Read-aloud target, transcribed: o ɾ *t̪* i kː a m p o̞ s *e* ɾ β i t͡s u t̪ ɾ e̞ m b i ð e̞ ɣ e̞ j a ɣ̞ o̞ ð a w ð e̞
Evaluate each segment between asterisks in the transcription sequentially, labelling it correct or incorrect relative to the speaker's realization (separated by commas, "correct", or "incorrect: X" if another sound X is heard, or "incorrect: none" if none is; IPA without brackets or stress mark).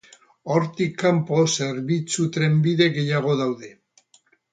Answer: correct, correct